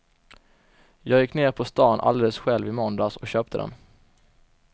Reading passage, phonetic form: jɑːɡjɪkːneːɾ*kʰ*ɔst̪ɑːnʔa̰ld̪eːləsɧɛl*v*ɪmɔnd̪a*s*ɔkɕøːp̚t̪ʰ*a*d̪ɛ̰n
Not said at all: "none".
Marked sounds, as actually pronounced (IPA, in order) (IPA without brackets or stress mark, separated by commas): pʰ, v, s, ə